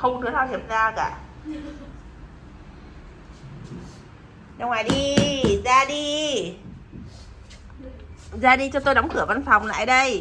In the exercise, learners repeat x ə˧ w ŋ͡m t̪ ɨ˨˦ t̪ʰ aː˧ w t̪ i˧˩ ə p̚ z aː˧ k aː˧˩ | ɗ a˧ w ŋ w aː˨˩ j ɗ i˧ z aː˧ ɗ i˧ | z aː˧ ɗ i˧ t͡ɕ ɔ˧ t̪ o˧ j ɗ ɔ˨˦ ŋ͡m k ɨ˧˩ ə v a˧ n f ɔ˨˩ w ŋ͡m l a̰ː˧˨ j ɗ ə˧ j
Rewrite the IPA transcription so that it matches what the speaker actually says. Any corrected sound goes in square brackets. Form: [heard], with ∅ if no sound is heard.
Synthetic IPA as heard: x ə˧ w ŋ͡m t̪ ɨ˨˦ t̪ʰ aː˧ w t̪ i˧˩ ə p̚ z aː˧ k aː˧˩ | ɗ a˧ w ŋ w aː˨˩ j ɗ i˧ z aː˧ ɗ i˧ | z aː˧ ɗ i˧ t͡ɕ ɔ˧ t̪ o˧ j ɗ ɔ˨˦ ŋ͡m k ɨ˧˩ ə v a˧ n f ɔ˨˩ w ŋ͡m l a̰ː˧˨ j ɗ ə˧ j